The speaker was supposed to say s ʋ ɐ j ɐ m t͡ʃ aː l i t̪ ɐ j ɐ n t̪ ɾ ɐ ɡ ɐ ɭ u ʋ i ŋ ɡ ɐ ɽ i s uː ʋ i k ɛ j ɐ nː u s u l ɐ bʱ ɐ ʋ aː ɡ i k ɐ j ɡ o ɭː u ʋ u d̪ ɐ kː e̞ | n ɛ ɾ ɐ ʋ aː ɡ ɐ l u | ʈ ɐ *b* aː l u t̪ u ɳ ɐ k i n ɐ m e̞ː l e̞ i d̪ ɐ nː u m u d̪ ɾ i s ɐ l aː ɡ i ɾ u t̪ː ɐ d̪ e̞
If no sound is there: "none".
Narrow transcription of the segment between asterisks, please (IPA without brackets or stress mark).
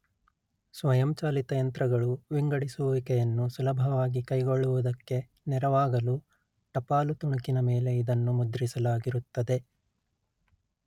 p